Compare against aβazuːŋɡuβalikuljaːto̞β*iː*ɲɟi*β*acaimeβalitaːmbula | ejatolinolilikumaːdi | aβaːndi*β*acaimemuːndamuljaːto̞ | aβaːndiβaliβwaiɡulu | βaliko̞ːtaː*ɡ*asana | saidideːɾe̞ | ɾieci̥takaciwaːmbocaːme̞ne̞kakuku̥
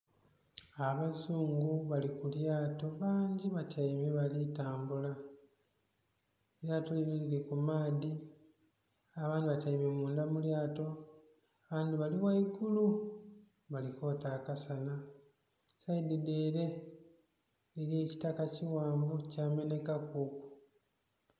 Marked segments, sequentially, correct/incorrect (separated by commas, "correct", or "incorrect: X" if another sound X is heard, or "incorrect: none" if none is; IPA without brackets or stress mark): incorrect: aː, correct, correct, incorrect: k